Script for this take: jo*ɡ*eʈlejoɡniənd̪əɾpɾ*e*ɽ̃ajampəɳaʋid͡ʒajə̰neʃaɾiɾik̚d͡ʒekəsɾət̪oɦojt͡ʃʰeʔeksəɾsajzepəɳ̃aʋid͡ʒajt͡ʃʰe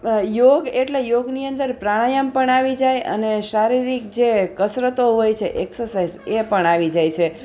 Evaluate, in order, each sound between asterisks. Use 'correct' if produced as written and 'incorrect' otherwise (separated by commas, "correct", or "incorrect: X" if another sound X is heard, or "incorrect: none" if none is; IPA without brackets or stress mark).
correct, incorrect: a